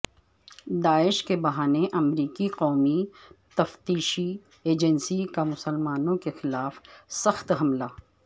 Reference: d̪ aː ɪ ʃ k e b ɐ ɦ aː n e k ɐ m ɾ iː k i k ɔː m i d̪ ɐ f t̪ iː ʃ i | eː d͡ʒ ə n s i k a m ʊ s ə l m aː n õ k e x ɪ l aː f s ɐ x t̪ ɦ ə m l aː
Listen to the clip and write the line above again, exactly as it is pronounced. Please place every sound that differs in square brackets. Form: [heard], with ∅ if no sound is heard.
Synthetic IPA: d̪ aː ɪ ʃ k e b ɐ ɦ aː n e [ʔ] ɐ m ɾ iː k i [q] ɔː m i [t̪] ɐ f t̪ iː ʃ i | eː d͡ʒ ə n s i k a m ʊ s ə l m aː n õ k e x ɪ l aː f s ɐ x t̪ ɦ [ɐ] m l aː